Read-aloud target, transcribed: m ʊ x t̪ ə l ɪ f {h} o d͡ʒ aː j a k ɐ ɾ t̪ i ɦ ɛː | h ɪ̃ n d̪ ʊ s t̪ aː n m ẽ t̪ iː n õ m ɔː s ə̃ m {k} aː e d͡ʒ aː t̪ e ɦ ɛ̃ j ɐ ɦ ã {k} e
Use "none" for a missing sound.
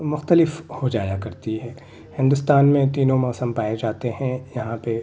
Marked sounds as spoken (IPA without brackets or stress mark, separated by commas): h, p, p